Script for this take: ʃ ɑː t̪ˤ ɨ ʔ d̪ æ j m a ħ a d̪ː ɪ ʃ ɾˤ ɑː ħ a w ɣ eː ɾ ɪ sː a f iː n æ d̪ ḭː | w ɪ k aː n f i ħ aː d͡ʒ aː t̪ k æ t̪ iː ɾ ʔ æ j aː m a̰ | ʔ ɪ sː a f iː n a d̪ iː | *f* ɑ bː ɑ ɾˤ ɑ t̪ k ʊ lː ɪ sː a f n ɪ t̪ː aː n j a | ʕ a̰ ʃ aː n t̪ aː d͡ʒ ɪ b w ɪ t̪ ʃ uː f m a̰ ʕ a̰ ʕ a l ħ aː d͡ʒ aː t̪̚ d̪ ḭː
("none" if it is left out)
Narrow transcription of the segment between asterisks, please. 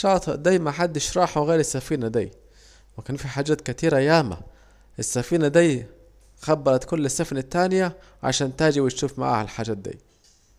x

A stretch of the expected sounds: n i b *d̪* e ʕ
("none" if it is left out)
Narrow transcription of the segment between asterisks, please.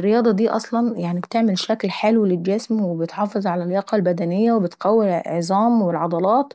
t̪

